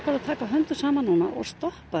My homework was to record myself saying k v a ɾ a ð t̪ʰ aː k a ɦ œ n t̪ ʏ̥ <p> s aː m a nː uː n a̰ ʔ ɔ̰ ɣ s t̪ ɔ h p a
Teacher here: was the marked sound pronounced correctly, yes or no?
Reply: no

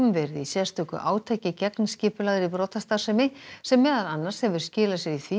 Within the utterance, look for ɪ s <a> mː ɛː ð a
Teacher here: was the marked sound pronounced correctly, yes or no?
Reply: no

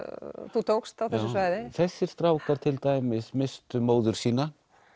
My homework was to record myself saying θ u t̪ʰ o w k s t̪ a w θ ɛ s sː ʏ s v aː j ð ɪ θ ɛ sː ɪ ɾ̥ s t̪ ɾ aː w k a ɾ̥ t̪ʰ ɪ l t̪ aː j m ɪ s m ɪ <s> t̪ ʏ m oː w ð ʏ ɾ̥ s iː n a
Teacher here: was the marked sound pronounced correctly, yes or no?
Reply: yes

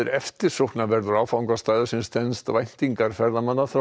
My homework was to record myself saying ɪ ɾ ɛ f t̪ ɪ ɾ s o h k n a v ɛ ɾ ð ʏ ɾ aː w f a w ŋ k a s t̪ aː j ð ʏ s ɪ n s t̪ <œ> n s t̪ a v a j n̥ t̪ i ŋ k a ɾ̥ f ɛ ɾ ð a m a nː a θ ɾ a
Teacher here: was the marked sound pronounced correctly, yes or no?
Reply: no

